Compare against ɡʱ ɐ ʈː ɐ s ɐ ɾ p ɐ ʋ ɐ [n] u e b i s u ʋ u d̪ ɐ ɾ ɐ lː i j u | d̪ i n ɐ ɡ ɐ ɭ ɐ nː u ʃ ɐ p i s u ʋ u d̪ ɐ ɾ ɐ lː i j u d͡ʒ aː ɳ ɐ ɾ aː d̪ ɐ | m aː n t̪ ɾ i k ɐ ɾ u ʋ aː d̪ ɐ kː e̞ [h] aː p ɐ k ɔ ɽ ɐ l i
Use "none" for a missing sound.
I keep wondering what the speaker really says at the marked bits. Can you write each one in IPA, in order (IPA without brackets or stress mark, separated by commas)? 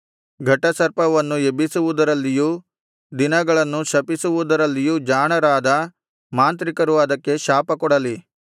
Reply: nː, ʃ